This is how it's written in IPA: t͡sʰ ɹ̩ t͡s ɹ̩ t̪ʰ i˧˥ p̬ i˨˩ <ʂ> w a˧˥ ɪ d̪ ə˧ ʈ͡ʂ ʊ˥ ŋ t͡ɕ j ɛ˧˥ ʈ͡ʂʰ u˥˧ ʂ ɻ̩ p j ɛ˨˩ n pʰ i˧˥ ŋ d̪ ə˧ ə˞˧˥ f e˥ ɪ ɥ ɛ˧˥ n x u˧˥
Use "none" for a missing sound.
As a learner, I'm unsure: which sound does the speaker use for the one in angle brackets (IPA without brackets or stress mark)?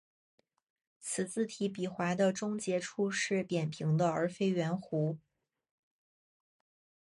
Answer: x